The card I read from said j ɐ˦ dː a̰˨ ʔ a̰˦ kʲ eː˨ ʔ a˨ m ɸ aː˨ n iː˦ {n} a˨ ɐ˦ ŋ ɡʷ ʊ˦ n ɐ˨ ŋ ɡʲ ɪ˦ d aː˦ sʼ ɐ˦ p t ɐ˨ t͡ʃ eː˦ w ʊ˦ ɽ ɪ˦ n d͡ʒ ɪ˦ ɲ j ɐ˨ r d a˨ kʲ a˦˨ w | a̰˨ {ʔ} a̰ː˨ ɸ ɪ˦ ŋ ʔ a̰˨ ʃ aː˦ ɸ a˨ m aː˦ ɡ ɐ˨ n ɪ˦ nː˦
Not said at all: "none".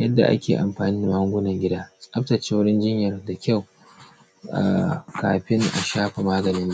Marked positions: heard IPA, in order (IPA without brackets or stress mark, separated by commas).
d, k